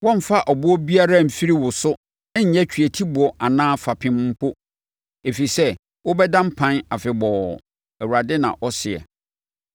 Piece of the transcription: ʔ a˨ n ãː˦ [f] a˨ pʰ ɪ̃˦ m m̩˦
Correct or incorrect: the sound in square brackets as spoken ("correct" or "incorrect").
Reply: correct